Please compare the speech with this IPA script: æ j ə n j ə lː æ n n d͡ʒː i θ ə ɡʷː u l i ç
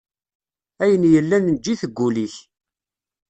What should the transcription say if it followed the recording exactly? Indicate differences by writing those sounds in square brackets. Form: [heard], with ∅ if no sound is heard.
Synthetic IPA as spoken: æ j ə n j ə lː æ n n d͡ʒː i θ ə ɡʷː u l i ç